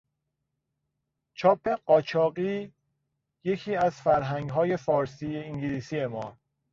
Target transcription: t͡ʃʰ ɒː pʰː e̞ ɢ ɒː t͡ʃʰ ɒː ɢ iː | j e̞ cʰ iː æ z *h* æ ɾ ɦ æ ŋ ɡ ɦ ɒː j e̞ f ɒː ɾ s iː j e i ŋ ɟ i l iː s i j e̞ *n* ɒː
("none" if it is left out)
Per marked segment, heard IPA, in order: f, m

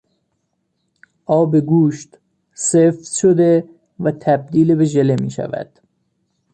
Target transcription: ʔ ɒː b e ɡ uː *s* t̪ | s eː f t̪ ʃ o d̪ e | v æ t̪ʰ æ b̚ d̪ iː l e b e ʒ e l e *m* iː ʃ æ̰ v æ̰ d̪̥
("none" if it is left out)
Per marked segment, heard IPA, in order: ʃ, m

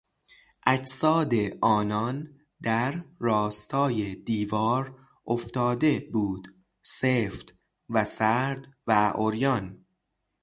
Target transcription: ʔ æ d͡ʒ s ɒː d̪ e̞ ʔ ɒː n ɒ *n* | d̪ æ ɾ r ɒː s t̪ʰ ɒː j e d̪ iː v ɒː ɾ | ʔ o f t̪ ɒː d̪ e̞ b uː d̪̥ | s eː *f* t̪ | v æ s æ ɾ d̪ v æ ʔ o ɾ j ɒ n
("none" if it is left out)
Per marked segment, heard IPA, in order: n, f

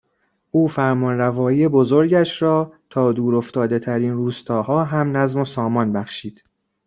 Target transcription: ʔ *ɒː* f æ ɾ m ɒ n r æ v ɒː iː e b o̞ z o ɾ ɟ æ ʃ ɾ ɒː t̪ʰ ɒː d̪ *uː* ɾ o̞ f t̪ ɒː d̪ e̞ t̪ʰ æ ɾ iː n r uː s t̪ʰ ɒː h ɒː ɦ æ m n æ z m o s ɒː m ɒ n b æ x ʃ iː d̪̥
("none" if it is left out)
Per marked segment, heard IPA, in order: uː, uː

